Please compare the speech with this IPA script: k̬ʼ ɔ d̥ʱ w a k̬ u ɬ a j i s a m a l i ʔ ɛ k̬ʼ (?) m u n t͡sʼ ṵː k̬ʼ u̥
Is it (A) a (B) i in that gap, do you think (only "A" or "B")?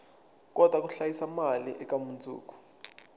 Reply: A